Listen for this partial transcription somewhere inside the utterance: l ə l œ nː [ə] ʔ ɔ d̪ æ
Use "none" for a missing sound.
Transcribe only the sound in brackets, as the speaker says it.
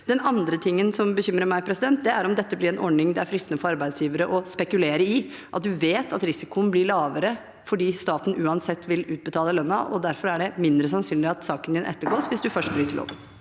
ɑ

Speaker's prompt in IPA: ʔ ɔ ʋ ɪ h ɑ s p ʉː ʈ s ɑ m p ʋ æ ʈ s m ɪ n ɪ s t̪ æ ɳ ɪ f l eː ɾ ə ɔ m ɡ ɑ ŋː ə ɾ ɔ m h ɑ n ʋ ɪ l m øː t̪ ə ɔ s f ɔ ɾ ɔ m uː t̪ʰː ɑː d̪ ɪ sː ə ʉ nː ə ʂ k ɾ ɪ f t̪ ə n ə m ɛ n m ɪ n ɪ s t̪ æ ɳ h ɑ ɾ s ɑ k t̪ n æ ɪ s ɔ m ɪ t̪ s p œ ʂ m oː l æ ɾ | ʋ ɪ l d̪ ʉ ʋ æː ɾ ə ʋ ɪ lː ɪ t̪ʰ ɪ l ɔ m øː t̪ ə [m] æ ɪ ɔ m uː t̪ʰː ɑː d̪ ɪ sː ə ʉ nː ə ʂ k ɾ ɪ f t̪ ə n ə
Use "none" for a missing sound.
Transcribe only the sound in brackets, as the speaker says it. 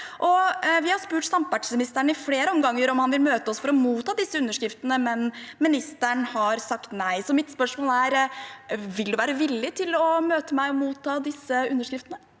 m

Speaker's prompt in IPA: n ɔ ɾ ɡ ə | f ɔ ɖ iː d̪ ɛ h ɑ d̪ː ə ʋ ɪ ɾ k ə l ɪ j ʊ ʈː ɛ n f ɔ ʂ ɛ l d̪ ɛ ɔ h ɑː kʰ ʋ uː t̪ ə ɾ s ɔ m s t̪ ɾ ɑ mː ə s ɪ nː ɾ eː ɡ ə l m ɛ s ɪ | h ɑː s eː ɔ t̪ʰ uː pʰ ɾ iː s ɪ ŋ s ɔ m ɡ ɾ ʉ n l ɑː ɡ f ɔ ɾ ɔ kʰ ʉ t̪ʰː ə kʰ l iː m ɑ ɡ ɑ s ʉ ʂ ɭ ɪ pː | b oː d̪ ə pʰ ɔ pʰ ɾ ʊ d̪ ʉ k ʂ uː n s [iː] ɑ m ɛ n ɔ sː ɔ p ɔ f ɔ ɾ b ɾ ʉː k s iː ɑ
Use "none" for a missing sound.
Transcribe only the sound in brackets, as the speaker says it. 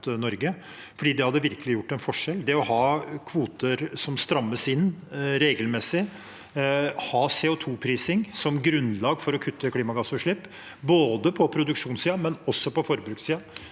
iː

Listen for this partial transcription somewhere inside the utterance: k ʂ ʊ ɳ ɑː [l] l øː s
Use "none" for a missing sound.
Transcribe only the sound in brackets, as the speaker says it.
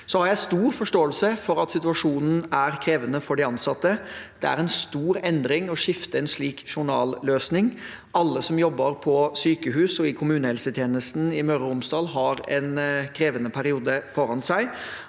l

